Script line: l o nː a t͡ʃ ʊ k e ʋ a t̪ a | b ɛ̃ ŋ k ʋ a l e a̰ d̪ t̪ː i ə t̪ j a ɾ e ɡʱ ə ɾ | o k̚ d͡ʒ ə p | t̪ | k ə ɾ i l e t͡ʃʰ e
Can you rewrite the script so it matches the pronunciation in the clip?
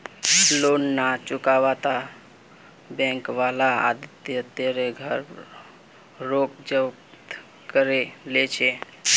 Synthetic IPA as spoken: l o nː a t͡ʃ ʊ k a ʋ a t̪ a | b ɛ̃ ŋ k ʋ a l a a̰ d̪ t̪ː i ə t̪ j a ɾ e ɡʱ ə ɾ | o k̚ d͡ʒ ə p | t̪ | k ə ɾ e l e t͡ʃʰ e